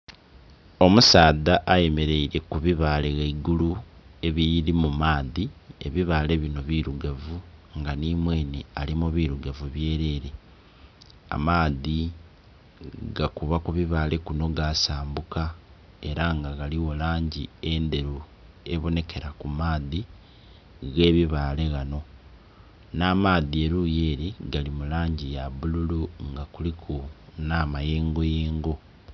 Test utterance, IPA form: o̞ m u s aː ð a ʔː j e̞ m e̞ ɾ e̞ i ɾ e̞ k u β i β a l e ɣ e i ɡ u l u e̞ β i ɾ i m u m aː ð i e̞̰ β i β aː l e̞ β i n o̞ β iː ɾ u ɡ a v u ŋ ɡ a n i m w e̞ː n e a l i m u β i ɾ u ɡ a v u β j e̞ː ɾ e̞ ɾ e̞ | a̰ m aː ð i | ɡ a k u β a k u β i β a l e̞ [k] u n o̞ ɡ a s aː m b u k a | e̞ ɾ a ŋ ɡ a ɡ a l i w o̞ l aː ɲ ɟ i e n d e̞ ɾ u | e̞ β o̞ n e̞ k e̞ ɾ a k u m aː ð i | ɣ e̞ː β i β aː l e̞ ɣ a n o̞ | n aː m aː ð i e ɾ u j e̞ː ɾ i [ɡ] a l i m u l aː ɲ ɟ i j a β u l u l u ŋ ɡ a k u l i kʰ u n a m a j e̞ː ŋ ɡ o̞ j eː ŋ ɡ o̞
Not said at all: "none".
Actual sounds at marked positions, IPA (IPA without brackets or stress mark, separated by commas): k, ɡ